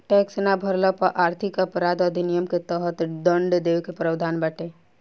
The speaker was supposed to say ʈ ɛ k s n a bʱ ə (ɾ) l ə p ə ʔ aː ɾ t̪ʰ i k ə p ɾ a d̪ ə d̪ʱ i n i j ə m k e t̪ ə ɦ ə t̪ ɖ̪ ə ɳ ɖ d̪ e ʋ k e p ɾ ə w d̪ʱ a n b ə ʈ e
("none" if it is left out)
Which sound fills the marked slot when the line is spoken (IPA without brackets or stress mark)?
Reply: ɾ